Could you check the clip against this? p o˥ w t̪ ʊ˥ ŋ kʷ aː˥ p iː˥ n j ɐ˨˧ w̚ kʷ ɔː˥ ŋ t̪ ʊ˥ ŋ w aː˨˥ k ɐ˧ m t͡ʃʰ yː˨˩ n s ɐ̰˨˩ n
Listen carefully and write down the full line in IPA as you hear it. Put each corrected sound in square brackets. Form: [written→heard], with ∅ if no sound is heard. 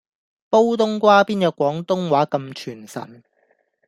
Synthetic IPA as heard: p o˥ w t̪ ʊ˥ ŋ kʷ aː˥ p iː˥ n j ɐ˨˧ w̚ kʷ [ɔː˥→ɔː˨˥] ŋ t̪ ʊ˥ ŋ w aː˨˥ k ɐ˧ m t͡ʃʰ yː˨˩ n s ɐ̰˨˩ n